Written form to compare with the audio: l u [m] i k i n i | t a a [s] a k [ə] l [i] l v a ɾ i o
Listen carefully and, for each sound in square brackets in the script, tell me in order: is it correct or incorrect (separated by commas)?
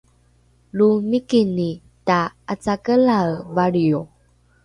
correct, incorrect, correct, incorrect